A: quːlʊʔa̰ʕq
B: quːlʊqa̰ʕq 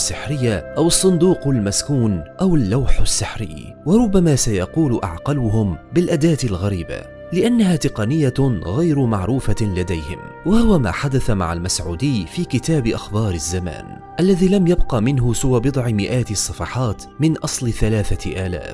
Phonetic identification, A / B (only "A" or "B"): A